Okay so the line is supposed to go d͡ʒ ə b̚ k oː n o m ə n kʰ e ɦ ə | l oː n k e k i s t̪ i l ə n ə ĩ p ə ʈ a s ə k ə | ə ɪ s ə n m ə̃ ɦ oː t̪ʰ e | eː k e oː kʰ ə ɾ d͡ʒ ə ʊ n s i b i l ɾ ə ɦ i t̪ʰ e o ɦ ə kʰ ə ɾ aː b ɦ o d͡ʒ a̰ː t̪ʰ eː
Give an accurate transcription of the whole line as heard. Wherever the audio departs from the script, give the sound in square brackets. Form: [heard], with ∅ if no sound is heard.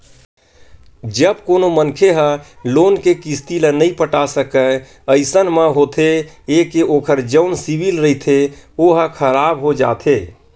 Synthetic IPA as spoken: d͡ʒ ə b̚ k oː n o m ə n kʰ e ɦ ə | l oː n k e k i s t̪ i l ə n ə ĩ p ə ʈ a s ə k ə | ə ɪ s ə n m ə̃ ɦ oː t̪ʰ e | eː k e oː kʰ ə ɾ d͡ʒ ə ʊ n s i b i l ɾ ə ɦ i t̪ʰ e o ɦ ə kʰ ə ɾ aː b ɦ o d͡ʒ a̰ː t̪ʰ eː

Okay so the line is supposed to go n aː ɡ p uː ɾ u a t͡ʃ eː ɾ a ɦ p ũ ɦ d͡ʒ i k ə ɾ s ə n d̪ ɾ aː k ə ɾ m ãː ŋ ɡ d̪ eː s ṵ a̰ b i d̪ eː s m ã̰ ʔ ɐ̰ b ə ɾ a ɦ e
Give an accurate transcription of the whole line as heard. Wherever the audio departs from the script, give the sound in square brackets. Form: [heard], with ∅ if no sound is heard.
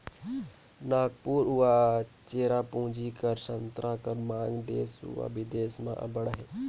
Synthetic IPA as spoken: n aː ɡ p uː ɾ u a t͡ʃ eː ɾ a [∅] p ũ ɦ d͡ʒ i k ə ɾ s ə n [t̪] ɾ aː k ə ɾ m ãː ŋ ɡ d̪ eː s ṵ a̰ b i d̪ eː s m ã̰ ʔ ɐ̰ b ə [ɽ] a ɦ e

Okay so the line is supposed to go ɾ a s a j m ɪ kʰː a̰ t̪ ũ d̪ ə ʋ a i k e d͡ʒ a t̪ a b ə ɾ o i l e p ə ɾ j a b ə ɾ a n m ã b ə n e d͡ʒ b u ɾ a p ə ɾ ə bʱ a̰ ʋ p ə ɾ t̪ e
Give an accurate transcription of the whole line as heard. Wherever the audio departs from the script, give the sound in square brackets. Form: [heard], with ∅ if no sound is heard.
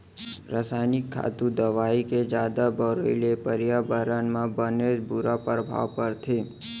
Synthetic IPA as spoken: ɾ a s a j [n] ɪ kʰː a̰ t̪ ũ d̪ ə ʋ a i k e d͡ʒ a [d̪] a b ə ɾ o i l e p ə ɾ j a b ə ɾ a n m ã b ə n e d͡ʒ b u ɾ a p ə ɾ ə bʱ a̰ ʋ p ə ɾ [t̪ʰ] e

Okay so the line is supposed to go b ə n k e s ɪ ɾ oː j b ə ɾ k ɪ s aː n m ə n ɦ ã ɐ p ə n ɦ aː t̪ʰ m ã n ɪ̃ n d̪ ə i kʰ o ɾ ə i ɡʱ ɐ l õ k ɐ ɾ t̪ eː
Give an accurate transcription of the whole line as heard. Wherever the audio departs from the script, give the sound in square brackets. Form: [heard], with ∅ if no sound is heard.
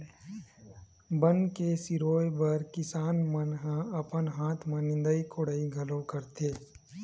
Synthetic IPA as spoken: b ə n k e s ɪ ɾ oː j b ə ɾ k ɪ s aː n m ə n ɦ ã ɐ p ə n ɦ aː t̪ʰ m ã n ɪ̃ n d̪ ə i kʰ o [ɽ] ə i ɡʱ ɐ l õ k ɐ ɾ t̪ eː

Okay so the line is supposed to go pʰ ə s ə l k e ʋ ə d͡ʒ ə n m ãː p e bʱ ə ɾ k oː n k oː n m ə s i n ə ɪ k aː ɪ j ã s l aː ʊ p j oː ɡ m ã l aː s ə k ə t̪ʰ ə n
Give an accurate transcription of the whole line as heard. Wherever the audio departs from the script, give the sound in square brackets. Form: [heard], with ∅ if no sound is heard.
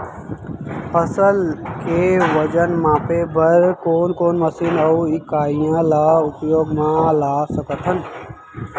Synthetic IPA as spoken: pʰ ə s ə l k e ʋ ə d͡ʒ ə n m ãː p e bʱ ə ɾ k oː n k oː n m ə s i n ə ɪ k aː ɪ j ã [∅] l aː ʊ p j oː ɡ m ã l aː s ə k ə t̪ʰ ə n

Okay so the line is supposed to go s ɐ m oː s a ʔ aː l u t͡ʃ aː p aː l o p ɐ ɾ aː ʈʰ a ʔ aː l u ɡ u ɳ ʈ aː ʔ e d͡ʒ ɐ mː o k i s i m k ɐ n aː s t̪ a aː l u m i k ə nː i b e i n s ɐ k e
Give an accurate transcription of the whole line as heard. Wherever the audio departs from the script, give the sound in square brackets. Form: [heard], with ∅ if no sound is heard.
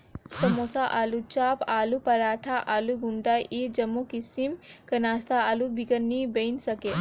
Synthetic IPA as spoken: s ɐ m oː s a ʔ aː l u t͡ʃ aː p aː l [u] p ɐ ɾ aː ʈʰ a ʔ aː l u ɡ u ɳ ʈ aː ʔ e d͡ʒ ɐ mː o k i s i m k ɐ n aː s t̪ a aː l u [b] i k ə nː i b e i n s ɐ k e

